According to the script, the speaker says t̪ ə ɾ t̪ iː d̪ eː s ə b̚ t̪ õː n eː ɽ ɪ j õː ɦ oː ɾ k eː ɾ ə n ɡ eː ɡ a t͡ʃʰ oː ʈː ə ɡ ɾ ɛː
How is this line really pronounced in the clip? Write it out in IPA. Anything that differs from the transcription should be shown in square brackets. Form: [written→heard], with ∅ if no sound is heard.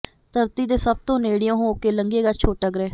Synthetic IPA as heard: t̪ ə ɾ t̪ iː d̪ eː s ə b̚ t̪ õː n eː ɽ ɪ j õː ɦ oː [ɾ→∅] k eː [ɾ→l] ə [n→ŋ] ɡ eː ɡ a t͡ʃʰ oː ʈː ə ɡ ɾ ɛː